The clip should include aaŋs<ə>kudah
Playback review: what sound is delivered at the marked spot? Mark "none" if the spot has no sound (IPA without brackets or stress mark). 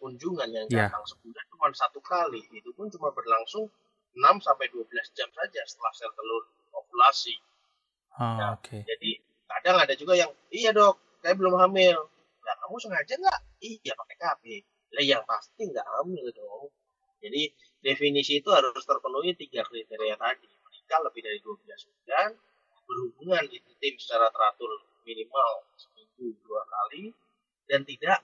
ə